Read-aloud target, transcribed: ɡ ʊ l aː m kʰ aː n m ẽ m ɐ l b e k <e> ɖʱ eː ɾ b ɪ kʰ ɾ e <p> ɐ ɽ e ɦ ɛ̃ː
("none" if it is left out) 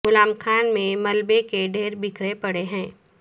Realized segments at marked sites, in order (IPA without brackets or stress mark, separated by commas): e, p